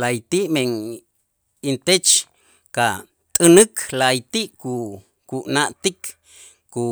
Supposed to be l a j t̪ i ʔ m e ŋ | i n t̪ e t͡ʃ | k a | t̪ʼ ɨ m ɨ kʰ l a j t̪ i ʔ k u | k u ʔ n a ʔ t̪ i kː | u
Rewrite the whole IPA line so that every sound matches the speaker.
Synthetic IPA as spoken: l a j t̪ i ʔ m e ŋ | i n t̪ e t͡ʃ | k a | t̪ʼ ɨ n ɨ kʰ l a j t̪ i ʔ k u | k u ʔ n a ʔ t̪ i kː | u